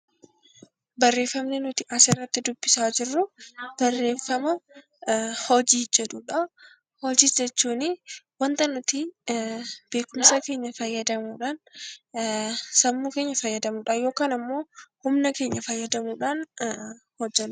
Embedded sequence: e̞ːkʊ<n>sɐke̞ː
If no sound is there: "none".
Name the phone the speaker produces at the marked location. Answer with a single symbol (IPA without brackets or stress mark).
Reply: m